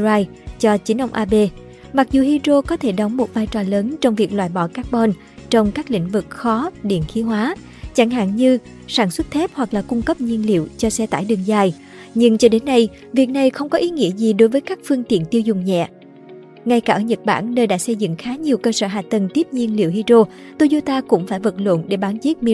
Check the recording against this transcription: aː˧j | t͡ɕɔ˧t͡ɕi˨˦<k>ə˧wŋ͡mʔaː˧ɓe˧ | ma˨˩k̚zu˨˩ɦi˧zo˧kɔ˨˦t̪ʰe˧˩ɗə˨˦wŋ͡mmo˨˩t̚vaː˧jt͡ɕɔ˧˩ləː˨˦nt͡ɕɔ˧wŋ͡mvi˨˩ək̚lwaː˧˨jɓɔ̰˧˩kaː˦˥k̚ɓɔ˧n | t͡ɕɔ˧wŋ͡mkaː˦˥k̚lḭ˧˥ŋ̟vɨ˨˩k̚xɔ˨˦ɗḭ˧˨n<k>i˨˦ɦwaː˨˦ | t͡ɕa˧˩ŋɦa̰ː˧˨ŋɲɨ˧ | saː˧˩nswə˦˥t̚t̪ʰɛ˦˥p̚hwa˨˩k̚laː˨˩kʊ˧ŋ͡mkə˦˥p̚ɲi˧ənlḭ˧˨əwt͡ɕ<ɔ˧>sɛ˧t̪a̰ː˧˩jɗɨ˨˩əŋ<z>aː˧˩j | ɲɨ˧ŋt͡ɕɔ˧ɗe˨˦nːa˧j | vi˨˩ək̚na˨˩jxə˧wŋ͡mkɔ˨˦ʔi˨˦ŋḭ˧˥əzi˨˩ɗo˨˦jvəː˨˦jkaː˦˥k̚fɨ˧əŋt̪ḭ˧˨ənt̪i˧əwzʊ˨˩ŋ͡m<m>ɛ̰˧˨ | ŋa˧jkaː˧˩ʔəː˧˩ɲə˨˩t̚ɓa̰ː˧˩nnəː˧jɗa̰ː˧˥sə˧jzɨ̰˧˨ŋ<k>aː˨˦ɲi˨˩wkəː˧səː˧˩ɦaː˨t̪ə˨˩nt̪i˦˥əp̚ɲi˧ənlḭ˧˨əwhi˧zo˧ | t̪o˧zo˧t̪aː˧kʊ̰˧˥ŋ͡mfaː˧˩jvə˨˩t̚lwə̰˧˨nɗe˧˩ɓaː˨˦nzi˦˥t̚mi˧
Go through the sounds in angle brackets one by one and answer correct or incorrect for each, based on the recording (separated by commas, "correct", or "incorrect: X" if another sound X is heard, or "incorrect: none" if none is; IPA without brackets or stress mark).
incorrect: ʔ, incorrect: x, correct, correct, incorrect: ɲ, incorrect: x